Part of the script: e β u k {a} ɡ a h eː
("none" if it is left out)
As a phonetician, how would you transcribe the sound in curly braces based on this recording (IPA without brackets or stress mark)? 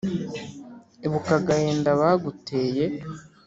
a